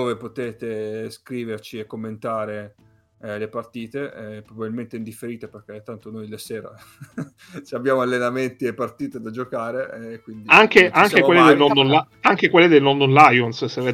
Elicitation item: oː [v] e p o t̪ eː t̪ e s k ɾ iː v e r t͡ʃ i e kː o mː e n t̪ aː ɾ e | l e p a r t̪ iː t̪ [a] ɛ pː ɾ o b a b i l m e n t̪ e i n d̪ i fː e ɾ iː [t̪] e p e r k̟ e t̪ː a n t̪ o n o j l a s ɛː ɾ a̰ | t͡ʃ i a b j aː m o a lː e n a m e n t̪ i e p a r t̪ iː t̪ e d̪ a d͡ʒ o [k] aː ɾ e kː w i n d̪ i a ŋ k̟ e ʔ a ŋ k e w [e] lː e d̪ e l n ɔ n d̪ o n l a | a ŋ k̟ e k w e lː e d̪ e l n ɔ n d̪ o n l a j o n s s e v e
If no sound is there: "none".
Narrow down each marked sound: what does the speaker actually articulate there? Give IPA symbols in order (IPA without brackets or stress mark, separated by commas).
v, e, t̪, k, e